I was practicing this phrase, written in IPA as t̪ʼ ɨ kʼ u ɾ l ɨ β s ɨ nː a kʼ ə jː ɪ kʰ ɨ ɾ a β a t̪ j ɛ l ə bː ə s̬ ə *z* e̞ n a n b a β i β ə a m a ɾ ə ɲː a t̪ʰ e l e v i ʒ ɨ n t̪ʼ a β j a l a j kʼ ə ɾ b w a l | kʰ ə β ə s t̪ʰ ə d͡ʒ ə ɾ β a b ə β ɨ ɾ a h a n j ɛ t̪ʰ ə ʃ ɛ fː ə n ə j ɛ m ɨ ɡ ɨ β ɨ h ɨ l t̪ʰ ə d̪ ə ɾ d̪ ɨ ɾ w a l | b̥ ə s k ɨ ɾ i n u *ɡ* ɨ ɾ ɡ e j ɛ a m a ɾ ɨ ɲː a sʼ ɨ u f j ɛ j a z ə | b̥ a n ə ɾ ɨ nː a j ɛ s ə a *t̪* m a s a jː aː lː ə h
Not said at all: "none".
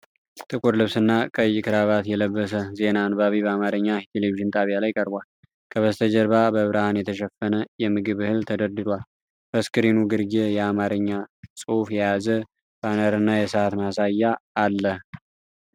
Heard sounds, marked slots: z, ɡ, t̪

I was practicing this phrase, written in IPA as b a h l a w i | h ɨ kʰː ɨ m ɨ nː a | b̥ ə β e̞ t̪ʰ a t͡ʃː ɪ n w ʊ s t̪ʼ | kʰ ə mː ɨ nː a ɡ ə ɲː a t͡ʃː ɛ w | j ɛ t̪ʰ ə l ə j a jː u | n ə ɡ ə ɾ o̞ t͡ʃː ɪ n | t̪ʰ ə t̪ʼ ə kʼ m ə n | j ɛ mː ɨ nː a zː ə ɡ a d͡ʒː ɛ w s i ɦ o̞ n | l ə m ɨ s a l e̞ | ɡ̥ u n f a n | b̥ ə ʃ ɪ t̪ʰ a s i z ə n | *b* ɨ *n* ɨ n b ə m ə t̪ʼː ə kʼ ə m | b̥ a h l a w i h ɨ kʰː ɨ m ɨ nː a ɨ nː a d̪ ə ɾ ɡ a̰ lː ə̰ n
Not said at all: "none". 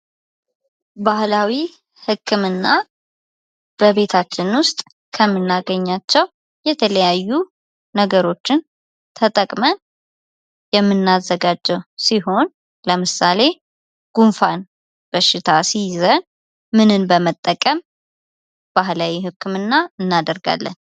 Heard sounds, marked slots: m, n

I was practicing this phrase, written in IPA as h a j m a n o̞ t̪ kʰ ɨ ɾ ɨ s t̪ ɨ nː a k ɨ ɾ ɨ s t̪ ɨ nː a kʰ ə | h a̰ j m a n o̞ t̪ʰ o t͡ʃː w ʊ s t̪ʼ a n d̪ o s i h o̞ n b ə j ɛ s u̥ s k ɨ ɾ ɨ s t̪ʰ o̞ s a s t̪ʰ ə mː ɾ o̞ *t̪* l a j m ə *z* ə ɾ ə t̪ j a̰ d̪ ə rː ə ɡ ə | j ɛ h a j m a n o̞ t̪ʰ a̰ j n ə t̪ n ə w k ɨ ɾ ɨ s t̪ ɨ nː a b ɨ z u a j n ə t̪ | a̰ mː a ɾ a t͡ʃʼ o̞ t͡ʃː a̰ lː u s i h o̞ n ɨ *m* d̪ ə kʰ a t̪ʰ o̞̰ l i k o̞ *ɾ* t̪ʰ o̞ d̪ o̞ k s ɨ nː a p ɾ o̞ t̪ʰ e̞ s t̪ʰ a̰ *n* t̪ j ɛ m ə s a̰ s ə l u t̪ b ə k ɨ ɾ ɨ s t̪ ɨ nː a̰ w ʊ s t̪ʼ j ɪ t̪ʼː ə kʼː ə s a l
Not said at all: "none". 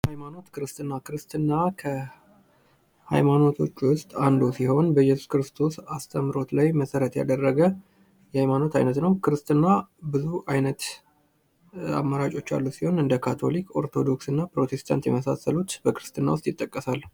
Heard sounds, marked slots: t̪, s, n, ɾ, n

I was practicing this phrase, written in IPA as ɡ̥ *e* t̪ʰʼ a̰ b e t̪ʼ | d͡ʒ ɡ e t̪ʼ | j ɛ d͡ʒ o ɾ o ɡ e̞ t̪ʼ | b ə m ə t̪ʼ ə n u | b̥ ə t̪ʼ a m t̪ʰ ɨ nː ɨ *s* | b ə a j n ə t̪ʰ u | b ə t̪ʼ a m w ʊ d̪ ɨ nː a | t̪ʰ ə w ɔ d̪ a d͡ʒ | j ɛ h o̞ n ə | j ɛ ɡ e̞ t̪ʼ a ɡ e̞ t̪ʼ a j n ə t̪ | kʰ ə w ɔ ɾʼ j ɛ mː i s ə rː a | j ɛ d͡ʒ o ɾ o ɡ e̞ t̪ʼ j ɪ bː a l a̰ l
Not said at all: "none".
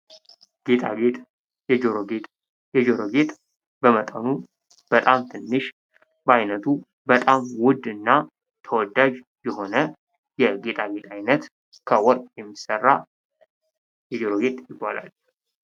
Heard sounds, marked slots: e, ʃ

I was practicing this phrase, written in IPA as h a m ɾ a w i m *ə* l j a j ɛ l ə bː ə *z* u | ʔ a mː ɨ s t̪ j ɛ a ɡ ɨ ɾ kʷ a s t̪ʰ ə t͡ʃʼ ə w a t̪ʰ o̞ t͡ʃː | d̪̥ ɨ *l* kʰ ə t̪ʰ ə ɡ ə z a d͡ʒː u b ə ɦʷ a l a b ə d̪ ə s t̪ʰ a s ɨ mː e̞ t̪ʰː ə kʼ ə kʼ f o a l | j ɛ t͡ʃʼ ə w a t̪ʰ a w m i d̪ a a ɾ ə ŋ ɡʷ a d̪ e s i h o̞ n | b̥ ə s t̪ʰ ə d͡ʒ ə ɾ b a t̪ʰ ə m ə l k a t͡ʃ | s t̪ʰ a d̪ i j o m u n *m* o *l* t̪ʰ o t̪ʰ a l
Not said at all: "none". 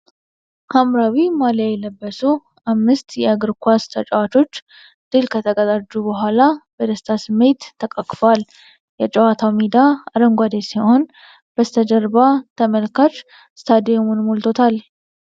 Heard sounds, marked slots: a, s, l, m, l

